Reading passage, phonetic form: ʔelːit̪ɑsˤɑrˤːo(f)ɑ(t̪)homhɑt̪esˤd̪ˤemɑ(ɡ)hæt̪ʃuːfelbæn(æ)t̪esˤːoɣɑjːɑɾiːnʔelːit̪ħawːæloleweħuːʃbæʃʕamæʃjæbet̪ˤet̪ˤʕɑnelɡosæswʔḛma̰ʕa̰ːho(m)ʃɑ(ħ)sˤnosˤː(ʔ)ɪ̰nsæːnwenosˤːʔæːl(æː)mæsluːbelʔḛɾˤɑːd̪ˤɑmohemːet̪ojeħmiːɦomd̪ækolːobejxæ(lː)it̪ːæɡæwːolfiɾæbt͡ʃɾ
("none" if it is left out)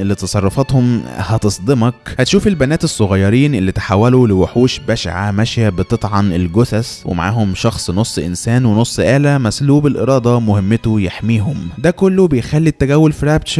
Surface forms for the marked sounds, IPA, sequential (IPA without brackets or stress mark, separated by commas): f, t̪, k, æː, m, x, ʔ, æ, lː